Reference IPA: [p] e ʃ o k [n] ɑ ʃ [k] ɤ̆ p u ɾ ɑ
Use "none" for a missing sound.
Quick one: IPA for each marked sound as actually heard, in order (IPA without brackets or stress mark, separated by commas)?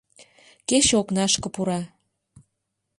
k, n, k